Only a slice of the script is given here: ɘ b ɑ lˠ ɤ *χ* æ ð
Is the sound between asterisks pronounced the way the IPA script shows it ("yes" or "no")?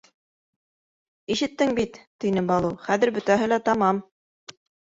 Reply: yes